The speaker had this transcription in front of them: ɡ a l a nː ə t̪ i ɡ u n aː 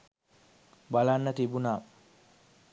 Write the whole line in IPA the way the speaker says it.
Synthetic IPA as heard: b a l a nː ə t̪ i b u n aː